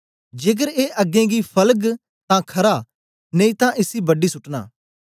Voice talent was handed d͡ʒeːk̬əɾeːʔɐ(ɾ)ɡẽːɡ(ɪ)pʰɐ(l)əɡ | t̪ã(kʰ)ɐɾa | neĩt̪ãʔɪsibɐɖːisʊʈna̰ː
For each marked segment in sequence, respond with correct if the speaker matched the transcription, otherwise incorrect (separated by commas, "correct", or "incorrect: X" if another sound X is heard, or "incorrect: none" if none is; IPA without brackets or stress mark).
incorrect: none, incorrect: i, correct, correct